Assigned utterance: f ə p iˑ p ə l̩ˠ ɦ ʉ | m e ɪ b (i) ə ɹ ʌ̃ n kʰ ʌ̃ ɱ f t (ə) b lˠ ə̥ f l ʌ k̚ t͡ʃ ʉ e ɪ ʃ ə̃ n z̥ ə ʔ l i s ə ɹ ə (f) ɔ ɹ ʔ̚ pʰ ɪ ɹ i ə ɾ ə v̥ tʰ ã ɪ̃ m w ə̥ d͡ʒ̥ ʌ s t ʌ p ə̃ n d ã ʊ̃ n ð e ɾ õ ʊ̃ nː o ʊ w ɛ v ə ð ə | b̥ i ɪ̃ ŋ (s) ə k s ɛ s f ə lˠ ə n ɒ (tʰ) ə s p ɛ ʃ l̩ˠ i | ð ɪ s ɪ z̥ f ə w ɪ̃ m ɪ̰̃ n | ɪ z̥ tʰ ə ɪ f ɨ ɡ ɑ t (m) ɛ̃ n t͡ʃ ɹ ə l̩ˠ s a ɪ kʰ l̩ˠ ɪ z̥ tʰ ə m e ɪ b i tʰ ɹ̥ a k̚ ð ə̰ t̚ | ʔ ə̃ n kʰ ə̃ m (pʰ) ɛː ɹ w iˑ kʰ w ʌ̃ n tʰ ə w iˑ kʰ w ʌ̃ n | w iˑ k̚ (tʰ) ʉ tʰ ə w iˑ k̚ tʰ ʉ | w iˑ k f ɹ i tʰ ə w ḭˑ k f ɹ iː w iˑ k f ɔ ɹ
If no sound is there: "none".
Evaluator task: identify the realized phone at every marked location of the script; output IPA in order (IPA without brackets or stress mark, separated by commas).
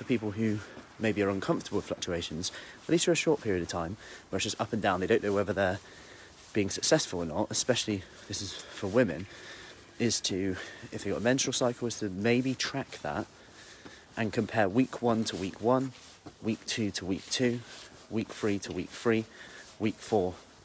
i, ə, ʃ, s, t, m, pʰ, tʰ